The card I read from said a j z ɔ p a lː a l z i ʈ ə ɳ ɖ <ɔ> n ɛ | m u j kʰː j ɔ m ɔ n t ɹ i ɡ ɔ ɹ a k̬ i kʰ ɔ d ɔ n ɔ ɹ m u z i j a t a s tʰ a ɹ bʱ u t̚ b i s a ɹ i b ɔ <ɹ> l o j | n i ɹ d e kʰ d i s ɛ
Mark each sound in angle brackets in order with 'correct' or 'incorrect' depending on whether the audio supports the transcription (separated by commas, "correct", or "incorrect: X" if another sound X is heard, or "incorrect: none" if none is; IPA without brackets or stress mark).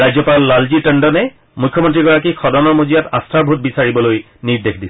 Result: correct, incorrect: none